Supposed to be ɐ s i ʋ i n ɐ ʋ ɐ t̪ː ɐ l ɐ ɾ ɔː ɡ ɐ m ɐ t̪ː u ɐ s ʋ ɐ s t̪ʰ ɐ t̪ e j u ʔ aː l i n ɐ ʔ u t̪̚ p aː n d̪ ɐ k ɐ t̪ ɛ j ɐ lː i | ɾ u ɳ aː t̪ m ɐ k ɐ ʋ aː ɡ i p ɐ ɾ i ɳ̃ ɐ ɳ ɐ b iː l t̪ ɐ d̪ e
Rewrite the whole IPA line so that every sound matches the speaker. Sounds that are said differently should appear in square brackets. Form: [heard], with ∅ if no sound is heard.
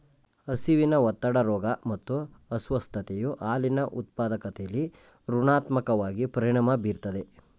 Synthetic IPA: ɐ s i ʋ i n ɐ ʋ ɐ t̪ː ɐ [ɽ] ɐ ɾ ɔː ɡ ɐ m ɐ t̪ː u ɐ s ʋ ɐ s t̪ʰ ɐ t̪ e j u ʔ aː l i n ɐ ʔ u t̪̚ p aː [∅] d̪ ɐ k ɐ t̪ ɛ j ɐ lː i | ɾ u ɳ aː t̪ m ɐ k ɐ ʋ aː ɡ i p ɐ ɾ i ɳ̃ ɐ [m] ɐ b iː [ɾ] t̪ ɐ d̪ e

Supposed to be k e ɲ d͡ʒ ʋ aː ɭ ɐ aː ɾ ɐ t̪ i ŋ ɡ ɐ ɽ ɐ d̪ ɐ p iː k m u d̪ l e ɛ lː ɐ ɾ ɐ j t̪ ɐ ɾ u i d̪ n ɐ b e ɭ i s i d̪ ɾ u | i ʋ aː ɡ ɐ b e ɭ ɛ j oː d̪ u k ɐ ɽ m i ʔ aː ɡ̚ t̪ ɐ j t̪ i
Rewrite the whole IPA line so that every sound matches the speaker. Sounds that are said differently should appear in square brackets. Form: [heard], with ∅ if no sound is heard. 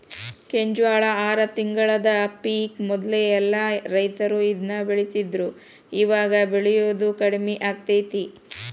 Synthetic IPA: k e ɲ d͡ʒ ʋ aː ɭ ɐ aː ɾ ɐ t̪ i ŋ ɡ ɐ [ɭ] ɐ d̪ ɐ p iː k m [ɔ] d̪ l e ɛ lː ɐ ɾ ɐ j t̪ ɐ ɾ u i d̪ n ɐ b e ɭ i s i d̪ ɾ u | i ʋ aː ɡ ɐ b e ɭ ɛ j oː d̪ u k ɐ ɽ m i ʔ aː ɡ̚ t̪ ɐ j t̪ i

